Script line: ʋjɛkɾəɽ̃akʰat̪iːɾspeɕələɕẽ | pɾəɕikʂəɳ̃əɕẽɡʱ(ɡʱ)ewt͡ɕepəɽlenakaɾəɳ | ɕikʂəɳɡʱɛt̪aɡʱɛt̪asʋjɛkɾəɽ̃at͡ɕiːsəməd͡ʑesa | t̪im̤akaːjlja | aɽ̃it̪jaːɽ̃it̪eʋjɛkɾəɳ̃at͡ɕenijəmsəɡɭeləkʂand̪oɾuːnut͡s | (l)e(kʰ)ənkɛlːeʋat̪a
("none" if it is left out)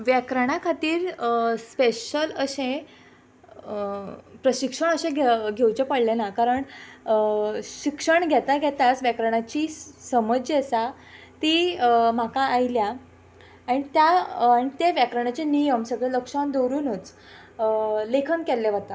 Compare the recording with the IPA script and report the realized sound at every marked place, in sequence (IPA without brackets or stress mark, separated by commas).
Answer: ɡʱ, l, kʰ